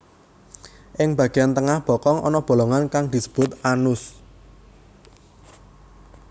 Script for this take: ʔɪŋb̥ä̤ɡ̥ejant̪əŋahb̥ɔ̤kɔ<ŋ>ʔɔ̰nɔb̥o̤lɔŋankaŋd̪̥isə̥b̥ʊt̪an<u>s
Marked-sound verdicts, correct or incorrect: correct, incorrect: ʊ

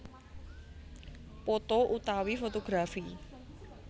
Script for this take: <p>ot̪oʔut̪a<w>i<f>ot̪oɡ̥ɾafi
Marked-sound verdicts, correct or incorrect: correct, correct, correct

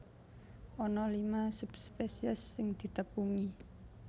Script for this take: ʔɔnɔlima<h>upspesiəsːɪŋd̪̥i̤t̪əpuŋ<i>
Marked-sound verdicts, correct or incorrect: incorrect: s, correct

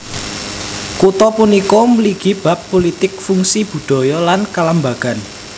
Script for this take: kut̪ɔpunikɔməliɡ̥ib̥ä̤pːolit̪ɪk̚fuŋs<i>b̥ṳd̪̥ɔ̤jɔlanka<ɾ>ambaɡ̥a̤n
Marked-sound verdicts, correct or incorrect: correct, incorrect: l

